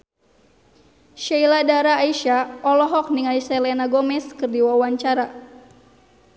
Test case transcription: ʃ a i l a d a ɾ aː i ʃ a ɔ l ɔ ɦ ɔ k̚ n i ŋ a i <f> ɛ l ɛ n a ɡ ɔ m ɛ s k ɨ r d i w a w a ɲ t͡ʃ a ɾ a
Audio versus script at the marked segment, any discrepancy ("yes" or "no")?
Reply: yes